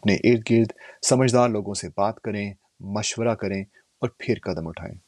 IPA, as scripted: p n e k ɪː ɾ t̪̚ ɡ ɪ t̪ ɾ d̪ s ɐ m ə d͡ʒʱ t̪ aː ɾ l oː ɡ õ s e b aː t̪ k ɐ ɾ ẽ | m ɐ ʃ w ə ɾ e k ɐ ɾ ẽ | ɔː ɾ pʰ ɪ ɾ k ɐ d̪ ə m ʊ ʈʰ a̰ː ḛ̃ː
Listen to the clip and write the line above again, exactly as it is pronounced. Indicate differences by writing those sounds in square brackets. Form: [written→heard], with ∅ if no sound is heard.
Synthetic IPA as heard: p n e [k→ʔ] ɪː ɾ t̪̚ ɡ ɪ [t̪→∅] ɾ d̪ s ɐ m ə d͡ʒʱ [t̪→d̪] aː ɾ l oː ɡ õ s e b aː t̪ k ɐ ɾ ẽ | m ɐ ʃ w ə ɾ [e→a] k ɐ ɾ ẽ | ɔː ɾ pʰ ɪ ɾ k ɐ d̪ ə m ʊ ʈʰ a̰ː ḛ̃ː